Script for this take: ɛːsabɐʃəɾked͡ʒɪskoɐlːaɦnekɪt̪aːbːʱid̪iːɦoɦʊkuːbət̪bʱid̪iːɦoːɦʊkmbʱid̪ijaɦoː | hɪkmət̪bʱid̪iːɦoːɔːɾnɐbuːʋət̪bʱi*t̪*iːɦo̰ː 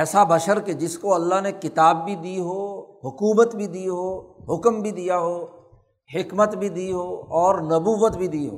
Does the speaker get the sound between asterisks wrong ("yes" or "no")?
yes